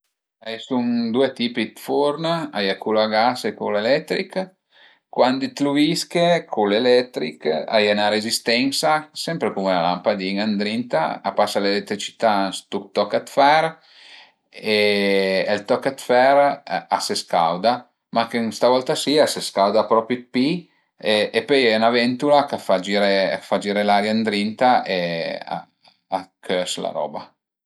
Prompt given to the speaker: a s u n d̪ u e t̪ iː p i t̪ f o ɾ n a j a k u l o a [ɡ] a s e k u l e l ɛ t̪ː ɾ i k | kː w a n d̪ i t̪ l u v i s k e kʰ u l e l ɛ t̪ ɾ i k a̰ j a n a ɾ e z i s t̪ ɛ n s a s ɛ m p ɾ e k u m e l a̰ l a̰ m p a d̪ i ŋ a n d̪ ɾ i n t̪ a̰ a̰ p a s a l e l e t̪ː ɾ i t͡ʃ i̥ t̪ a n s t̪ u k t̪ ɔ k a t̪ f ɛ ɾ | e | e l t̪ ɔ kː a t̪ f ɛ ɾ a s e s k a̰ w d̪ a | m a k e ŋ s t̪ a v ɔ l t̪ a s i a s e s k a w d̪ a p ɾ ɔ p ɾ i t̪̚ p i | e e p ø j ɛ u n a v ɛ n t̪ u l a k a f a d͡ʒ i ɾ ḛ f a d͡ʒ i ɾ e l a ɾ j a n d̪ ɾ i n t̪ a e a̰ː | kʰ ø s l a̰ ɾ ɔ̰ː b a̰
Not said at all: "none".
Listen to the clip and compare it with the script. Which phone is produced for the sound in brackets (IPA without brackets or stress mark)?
ɡ